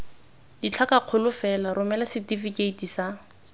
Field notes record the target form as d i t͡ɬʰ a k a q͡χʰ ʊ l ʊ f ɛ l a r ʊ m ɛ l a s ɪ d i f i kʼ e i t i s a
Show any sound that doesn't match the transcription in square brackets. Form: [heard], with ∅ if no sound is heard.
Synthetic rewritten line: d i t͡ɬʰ a k a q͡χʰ ʊ l ʊ f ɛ l a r ʊ m ɛ l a s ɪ [t] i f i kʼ e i t i s a